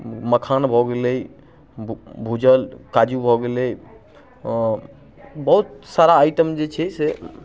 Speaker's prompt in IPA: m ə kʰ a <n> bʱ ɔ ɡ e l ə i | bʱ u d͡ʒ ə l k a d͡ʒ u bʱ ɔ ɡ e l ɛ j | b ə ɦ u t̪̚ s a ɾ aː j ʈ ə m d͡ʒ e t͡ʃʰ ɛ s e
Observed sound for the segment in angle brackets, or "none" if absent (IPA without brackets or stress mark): n